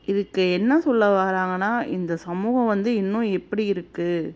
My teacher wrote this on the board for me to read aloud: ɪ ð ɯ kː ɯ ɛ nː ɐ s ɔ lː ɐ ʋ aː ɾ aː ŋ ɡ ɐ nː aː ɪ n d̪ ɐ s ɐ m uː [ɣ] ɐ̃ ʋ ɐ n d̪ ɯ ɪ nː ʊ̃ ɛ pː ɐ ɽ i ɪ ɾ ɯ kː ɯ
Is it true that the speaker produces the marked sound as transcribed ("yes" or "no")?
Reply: yes